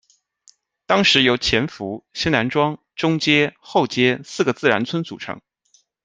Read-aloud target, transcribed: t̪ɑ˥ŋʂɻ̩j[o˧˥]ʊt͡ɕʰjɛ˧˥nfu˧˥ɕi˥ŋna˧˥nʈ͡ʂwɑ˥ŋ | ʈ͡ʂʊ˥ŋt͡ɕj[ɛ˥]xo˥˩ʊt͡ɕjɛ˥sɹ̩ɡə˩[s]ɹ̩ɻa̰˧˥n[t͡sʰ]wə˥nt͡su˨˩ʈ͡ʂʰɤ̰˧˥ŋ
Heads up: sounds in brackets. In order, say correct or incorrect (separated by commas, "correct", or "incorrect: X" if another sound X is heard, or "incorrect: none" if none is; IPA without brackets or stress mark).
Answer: correct, correct, incorrect: t͡s, correct